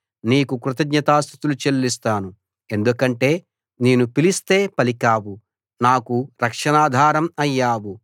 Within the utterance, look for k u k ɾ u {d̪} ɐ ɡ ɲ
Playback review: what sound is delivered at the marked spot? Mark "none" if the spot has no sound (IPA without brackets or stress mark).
t̪